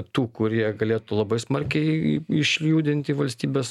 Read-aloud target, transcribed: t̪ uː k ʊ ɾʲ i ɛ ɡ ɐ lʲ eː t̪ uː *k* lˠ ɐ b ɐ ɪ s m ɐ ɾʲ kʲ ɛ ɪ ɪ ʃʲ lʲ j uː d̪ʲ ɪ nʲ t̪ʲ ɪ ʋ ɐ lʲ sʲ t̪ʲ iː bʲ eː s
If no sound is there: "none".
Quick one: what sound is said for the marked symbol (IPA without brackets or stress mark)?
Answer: none